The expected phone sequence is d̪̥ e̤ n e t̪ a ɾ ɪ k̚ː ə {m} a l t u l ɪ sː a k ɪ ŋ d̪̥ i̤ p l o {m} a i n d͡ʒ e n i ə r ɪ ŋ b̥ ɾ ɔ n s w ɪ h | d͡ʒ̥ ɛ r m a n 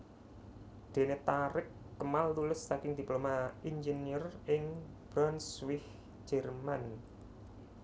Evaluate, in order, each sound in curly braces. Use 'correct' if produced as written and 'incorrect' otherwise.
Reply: correct, correct

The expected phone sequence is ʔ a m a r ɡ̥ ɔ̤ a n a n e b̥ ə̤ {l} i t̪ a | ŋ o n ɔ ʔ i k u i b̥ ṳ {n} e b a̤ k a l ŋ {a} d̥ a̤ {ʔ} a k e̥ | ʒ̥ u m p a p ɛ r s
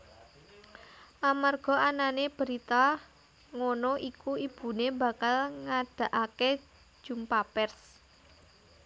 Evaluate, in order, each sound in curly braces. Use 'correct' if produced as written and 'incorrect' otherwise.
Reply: incorrect: ɾ, correct, correct, correct

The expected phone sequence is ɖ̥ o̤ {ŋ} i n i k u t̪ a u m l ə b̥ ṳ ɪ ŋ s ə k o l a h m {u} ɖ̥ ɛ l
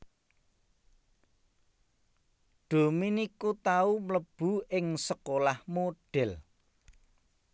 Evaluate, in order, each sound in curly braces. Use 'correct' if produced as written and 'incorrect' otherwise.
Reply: incorrect: m, incorrect: o

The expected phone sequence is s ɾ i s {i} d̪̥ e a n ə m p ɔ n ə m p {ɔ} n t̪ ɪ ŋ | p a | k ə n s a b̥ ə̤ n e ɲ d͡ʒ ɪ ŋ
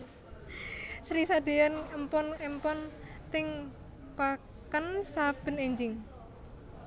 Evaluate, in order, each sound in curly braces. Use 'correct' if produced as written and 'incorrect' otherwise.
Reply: incorrect: a, correct

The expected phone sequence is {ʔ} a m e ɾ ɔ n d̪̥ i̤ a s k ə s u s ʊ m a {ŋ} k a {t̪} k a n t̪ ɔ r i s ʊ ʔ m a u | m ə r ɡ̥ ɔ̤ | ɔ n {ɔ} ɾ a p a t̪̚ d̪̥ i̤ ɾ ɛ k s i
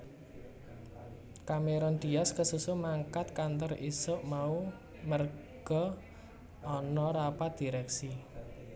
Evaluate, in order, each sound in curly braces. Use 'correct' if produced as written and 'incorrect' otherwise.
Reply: incorrect: k, correct, correct, correct

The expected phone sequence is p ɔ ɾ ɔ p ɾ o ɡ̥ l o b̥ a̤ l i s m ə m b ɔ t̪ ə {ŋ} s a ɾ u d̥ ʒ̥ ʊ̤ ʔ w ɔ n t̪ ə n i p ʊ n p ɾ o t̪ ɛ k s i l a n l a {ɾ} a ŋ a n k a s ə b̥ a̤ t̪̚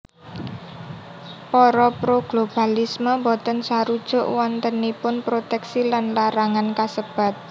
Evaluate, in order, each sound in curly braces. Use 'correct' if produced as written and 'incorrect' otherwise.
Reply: incorrect: n, correct

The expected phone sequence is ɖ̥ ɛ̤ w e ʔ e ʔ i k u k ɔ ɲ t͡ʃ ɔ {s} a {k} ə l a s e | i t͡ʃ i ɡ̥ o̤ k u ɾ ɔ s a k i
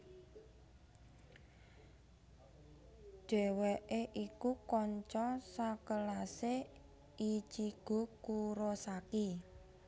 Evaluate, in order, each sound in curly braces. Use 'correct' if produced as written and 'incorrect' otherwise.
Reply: correct, correct

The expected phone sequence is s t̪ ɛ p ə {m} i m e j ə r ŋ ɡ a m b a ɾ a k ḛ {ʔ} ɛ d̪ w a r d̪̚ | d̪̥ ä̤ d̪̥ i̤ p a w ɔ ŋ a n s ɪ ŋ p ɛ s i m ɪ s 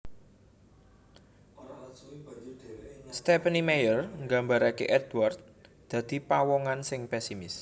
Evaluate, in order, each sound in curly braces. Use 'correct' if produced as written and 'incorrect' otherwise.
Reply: incorrect: n, correct

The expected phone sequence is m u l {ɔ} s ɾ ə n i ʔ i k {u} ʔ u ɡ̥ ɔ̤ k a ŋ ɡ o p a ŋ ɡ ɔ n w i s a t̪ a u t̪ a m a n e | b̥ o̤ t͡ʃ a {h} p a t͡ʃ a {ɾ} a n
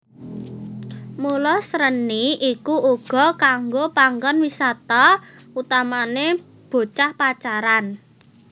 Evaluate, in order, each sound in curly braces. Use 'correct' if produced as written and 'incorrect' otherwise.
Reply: correct, correct, correct, correct

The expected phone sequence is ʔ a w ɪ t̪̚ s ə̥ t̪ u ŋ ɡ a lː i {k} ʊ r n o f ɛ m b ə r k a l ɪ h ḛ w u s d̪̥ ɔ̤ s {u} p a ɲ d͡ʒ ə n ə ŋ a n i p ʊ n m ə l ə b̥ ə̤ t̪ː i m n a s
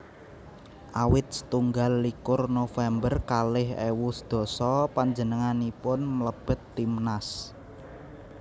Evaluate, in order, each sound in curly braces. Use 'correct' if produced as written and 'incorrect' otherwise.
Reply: correct, incorrect: ɔ

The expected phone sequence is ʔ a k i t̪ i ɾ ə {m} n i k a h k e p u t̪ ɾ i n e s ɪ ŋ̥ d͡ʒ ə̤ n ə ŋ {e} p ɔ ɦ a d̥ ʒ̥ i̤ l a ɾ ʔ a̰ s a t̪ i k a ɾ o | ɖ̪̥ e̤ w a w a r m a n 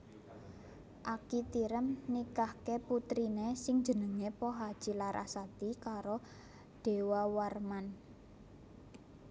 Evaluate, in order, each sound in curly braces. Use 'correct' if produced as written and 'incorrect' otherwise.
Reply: correct, correct

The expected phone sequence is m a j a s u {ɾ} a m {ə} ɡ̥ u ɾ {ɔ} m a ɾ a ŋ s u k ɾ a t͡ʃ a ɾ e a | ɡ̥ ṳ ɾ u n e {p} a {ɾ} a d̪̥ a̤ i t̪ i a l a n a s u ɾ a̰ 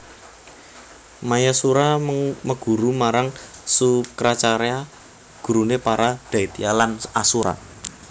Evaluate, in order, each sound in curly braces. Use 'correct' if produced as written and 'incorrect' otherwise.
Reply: correct, correct, incorrect: u, correct, correct

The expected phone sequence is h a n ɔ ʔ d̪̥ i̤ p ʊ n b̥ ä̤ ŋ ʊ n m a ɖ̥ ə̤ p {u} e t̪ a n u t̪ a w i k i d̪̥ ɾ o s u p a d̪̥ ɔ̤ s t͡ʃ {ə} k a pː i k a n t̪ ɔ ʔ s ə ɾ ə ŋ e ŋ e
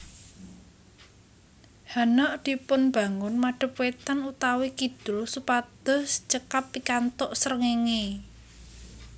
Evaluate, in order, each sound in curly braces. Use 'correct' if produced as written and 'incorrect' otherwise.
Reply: incorrect: w, correct

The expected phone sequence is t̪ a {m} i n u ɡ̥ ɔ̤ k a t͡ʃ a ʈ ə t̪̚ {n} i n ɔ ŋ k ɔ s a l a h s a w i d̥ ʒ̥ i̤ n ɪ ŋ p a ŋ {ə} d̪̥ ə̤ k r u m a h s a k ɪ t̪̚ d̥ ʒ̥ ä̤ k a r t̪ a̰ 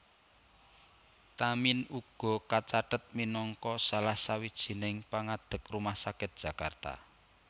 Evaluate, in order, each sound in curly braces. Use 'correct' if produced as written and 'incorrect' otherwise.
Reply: correct, incorrect: m, incorrect: a

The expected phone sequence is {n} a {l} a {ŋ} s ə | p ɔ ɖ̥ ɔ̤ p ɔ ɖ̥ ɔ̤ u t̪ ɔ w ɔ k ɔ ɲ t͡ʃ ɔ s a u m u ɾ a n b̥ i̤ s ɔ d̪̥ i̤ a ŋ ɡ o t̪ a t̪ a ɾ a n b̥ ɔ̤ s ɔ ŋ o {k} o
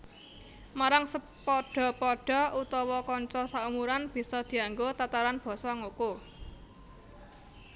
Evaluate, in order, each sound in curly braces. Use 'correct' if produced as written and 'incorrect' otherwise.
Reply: incorrect: m, incorrect: ɾ, correct, correct

